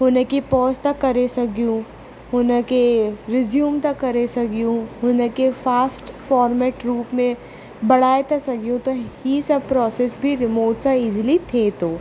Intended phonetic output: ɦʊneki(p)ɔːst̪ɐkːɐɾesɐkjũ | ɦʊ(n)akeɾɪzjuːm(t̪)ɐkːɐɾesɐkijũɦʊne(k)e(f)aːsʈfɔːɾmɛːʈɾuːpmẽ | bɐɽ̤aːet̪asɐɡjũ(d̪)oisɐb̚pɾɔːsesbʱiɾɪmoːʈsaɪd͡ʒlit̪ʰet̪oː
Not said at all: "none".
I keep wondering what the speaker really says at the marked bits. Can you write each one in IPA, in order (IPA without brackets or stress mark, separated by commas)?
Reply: p, n, t̪, k, f, t̪